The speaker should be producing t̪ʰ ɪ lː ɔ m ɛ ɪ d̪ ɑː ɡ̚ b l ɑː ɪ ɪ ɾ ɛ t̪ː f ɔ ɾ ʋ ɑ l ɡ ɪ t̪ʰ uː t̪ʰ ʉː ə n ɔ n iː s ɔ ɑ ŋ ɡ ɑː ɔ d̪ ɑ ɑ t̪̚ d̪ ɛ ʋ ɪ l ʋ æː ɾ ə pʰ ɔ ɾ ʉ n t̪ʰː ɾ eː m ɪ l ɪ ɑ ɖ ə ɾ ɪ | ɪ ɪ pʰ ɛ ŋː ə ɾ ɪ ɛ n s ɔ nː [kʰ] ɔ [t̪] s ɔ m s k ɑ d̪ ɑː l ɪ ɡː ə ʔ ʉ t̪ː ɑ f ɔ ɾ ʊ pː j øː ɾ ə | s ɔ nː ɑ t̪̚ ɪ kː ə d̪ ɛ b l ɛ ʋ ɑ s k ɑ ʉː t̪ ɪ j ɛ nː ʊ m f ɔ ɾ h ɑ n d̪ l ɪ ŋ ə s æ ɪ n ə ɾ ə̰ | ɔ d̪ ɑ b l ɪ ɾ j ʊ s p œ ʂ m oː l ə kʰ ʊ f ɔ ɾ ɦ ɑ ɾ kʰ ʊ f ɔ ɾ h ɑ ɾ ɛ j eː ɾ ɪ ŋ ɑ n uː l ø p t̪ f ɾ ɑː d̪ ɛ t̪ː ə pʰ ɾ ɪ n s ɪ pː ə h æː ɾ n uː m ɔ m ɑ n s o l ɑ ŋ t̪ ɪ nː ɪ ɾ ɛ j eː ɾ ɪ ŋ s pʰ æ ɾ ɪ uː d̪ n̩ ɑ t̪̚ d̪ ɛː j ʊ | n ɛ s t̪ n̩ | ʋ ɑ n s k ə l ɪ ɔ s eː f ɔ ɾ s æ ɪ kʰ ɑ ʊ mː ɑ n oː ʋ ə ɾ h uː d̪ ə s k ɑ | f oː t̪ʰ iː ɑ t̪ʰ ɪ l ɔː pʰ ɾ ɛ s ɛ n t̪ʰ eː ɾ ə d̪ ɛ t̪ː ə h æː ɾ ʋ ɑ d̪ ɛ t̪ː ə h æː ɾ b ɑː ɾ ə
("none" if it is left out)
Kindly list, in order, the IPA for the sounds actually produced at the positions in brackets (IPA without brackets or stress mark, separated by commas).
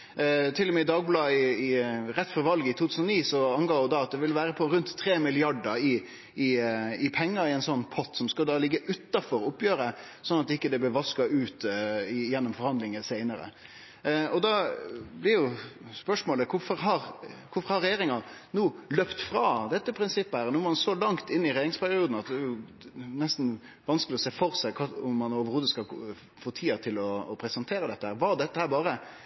pʰ, t̪